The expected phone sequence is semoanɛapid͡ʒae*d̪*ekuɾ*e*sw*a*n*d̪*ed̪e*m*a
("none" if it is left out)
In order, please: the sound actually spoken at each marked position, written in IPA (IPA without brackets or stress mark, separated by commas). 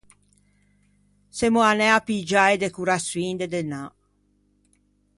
d̪, a, i, d̪, n